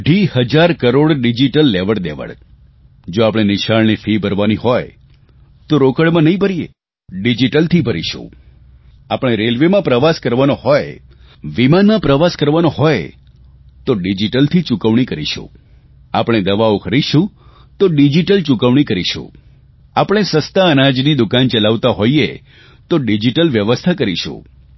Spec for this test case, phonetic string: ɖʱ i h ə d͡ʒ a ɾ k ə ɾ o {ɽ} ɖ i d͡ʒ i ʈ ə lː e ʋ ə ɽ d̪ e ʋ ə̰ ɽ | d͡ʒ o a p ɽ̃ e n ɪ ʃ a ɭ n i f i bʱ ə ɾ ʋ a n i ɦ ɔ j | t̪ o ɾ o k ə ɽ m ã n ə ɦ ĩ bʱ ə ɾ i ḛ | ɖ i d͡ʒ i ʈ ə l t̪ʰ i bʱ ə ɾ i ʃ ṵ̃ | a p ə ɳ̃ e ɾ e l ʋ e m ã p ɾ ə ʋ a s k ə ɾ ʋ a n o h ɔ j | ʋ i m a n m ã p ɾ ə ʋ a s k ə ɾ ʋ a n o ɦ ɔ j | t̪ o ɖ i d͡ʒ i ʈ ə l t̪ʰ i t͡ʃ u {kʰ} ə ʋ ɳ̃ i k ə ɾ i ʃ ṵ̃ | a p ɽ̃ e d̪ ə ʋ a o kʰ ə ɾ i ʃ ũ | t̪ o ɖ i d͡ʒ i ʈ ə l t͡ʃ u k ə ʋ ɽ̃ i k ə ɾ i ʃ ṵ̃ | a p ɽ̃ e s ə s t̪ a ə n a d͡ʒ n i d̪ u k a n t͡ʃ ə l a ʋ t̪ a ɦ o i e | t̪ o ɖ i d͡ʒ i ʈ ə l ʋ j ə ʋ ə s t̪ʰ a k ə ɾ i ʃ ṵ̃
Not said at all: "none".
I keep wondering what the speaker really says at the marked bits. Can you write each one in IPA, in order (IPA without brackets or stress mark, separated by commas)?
ɽ, k